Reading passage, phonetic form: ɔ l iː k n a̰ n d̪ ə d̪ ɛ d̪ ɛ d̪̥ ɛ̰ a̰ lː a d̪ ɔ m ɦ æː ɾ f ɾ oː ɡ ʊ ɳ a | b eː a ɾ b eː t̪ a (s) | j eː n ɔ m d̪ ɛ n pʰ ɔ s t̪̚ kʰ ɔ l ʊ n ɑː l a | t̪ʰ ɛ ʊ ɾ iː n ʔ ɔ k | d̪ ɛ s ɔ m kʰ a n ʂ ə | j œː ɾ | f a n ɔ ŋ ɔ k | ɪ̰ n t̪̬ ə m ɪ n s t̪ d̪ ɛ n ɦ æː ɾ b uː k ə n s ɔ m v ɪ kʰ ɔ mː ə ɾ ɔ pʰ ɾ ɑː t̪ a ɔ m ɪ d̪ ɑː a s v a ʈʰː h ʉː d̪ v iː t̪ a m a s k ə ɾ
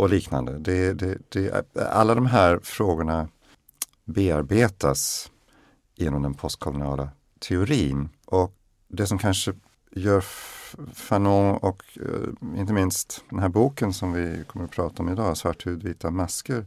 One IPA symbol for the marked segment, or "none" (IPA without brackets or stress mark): s